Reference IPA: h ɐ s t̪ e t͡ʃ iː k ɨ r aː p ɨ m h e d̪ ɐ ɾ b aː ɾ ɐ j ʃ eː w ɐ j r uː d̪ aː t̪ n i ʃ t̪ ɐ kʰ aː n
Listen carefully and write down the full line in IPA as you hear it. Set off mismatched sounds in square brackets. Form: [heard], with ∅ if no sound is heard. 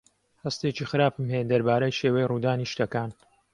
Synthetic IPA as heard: h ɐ s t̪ e t͡ʃ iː [x] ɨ [ɾ] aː p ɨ m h e d̪ ɐ ɾ b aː ɾ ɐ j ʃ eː w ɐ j r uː d̪ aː [∅] n i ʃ t̪ ɐ [k] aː n

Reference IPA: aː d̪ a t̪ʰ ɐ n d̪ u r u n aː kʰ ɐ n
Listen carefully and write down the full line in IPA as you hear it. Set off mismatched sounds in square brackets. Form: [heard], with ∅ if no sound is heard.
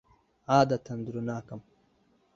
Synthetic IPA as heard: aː d̪ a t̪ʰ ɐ n d̪ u [ɾ] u n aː [k] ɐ [m]

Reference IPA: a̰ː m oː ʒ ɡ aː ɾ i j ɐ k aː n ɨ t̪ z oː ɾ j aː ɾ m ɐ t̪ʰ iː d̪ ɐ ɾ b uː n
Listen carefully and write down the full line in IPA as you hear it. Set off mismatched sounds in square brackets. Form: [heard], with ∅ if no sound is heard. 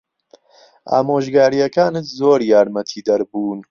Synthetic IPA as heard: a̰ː m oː ʒ ɡ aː ɾ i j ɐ k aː n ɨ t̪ z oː ɾ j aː ɾ m ɐ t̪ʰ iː d̪ ɐ ɾ b uː n

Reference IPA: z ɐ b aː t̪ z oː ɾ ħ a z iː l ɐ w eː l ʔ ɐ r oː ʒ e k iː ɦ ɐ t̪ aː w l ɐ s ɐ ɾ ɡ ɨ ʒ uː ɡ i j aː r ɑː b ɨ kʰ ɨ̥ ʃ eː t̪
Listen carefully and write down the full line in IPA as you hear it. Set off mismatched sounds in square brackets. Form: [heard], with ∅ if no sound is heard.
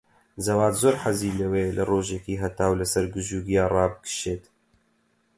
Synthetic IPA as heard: z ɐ [w] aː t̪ z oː ɾ ħ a z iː l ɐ w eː l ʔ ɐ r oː ʒ e k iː ɦ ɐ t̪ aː w l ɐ s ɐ ɾ ɡ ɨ ʒ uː ɡ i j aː r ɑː b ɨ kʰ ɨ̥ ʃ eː t̪

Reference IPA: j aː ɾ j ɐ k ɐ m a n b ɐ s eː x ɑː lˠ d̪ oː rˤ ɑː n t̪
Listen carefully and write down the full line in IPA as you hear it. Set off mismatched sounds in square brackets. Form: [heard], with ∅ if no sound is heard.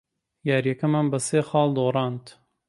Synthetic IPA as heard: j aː ɾ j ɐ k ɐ m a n b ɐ s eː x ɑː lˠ d̪ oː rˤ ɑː n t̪

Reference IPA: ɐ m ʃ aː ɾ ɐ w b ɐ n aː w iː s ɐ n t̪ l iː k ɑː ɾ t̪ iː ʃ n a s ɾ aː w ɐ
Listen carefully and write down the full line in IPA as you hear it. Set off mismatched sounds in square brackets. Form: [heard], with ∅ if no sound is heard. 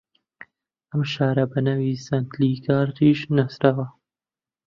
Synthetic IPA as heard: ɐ m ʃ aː ɾ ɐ [∅] b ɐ n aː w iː s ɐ n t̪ l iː k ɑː ɾ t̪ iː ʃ n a s ɾ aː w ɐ

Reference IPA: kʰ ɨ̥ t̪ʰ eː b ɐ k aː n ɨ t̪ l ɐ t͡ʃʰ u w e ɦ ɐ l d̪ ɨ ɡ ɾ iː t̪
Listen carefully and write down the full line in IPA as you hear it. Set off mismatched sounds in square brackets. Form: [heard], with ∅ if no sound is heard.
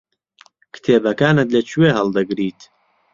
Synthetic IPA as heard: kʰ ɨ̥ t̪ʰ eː b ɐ k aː n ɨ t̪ l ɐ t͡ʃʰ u w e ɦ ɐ l d̪ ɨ ɡ ɾ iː t̪

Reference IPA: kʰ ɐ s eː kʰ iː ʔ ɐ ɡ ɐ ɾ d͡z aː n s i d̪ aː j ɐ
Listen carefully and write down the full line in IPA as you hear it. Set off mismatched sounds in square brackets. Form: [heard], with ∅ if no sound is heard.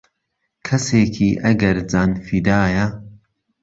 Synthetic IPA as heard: kʰ ɐ s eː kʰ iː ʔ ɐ ɡ ɐ ɾ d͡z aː n [f] i d̪ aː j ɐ

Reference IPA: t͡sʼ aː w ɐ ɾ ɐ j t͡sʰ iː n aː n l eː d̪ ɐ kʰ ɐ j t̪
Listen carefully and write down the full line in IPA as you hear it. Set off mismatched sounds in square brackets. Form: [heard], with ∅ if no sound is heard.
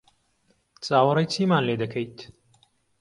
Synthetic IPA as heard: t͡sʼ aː w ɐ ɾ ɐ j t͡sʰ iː [m] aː n l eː d̪ ɐ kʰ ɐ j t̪

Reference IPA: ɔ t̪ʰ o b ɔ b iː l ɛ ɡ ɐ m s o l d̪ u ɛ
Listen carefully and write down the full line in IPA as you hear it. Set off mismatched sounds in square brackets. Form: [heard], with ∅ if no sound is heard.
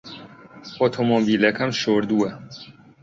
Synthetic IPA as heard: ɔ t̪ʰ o [m] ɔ b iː l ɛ [k] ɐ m [ʃ] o [ɾ] d̪ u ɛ

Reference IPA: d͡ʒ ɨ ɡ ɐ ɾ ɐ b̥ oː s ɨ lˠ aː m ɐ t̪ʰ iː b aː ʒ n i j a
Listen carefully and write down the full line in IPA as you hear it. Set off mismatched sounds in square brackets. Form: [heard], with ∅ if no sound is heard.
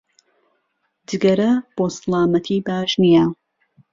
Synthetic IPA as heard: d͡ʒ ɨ ɡ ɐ ɾ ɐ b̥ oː s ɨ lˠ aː m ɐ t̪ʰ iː b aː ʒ n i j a

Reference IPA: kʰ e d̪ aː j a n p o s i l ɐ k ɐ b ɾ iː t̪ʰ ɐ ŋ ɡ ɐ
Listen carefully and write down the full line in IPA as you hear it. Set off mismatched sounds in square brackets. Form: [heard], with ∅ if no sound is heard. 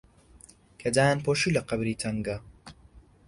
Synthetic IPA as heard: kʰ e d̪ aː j a n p o [ʃ] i l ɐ [q] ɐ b ɾ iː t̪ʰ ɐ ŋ ɡ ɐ

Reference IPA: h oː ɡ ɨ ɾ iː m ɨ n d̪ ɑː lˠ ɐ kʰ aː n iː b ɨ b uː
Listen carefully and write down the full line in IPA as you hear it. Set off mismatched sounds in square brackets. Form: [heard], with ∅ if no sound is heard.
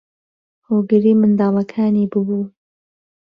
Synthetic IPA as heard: h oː ɡ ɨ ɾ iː m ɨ n d̪ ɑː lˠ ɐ kʰ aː n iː b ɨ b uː

